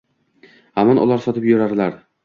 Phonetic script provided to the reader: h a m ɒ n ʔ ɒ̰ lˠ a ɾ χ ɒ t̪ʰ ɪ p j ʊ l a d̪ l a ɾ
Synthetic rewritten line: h a m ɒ n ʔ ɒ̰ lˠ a ɾ s ɒ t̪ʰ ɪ p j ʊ ɾ a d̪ l a ɾ